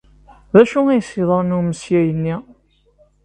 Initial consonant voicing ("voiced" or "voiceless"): voiced